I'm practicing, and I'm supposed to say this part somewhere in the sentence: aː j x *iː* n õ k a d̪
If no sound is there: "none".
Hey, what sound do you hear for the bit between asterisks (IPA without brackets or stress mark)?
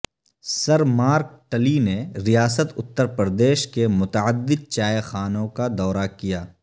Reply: aː